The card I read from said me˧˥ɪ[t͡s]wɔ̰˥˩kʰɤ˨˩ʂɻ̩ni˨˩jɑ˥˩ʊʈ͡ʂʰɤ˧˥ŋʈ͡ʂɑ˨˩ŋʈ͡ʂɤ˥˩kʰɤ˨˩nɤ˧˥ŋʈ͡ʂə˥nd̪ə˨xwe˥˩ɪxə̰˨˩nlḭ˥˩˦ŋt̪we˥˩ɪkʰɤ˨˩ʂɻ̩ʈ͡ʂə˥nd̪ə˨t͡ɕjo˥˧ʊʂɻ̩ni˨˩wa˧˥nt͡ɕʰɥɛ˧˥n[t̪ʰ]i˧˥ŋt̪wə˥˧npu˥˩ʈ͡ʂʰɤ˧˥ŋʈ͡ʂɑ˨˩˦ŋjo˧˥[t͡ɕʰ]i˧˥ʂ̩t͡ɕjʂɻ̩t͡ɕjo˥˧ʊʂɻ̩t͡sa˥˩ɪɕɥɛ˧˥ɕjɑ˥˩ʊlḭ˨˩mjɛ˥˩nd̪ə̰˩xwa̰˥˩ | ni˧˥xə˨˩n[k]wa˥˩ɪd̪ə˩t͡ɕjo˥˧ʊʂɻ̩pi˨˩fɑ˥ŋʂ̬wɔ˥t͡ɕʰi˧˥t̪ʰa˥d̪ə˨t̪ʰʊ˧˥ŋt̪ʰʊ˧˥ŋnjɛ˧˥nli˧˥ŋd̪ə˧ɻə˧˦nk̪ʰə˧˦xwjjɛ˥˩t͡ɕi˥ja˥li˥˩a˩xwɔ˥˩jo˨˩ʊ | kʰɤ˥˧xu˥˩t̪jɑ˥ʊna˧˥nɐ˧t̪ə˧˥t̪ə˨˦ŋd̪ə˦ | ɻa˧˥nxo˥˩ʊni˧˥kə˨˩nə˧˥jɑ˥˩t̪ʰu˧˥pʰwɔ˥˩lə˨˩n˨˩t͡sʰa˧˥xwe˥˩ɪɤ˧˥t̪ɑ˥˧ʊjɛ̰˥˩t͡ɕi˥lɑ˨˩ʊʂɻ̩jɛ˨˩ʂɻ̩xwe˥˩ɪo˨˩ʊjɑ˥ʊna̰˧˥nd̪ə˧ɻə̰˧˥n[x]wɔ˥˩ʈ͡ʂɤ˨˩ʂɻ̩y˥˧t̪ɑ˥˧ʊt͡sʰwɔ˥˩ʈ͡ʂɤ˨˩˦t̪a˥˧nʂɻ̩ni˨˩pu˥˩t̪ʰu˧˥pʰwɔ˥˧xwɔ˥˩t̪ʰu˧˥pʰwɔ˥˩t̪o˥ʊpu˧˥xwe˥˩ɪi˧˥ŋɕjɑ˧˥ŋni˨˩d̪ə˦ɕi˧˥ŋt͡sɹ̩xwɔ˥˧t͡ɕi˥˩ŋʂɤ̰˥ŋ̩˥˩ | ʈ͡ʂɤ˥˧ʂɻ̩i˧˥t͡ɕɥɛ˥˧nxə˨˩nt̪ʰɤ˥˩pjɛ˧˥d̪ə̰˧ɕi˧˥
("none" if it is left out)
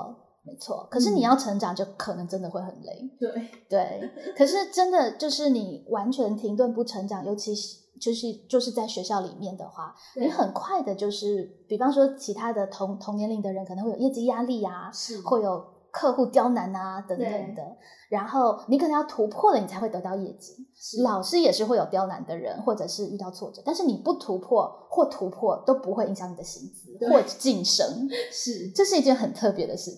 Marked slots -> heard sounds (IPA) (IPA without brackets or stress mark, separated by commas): t͡sʰ, t̪ʰ, t͡ɕʰ, kʰ, x